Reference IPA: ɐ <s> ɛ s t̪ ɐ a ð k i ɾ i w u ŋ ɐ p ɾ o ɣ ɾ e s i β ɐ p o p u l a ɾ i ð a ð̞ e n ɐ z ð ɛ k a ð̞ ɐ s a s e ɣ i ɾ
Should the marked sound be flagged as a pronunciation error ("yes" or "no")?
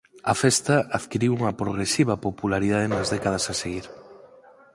yes